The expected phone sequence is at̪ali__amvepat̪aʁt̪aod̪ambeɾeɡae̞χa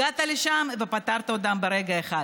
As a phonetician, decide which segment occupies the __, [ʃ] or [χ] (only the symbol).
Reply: ʃ